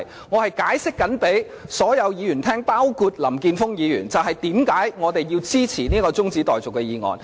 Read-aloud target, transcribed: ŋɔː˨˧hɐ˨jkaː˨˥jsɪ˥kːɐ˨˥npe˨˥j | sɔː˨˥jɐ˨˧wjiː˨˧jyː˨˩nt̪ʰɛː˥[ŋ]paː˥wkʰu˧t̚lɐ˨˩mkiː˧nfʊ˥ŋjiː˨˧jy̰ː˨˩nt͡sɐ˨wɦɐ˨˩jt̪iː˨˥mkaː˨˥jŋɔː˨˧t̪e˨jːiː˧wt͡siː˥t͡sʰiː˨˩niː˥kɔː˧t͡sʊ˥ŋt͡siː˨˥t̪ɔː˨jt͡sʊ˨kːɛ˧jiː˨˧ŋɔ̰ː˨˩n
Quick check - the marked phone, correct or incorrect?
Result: correct